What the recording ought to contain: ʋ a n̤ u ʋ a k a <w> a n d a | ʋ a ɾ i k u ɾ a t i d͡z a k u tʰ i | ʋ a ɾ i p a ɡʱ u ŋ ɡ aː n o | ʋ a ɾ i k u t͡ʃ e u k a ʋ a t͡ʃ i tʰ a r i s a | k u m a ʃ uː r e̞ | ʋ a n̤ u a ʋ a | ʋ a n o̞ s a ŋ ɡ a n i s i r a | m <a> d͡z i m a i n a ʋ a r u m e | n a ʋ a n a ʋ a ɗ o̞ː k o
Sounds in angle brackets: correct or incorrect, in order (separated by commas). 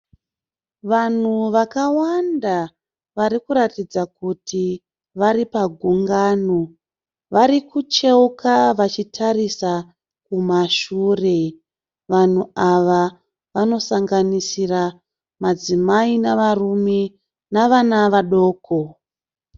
correct, correct